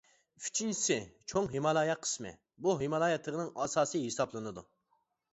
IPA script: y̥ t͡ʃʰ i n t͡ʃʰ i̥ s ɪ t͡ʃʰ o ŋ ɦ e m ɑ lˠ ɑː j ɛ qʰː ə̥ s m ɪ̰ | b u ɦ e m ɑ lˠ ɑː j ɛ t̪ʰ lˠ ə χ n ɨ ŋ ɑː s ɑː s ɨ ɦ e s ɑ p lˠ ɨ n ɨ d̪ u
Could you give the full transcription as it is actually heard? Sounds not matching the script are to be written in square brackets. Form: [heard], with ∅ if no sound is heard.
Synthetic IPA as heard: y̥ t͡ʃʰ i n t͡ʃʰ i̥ s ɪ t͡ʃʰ o ŋ ɦ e m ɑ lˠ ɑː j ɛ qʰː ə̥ s m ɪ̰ | b u ɦ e m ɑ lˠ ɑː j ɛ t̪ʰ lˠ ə [ʁ] n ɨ ŋ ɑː s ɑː s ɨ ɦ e s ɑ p lˠ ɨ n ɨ d̪ u